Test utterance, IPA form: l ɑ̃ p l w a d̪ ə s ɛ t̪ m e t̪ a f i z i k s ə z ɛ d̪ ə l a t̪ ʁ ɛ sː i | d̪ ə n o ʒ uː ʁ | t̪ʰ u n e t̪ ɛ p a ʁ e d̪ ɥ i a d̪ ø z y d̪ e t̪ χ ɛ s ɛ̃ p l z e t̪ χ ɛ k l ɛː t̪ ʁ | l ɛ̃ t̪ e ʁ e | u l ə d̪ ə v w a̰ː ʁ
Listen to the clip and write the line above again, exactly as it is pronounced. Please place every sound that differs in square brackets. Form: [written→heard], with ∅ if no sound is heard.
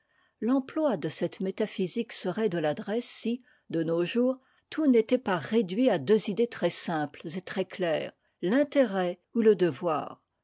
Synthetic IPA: l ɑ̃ p l w a d̪ ə s ɛ t̪ m e t̪ a f i z i k s ə [z→ʁ] ɛ d̪ ə l a [t̪→d̪] ʁ ɛ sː i | d̪ ə n o ʒ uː ʁ | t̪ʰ u n e t̪ ɛ p a ʁ e d̪ ɥ i a d̪ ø z [y→i] d̪ e t̪ χ ɛ s ɛ̃ p l z e t̪ χ ɛ k l ɛː [t̪→∅] ʁ | l ɛ̃ t̪ e ʁ [e→ɛ] | u l ə d̪ ə v w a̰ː ʁ